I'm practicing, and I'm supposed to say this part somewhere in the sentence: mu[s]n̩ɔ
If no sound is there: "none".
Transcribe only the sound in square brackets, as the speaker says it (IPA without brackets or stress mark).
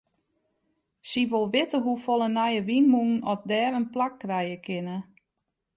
none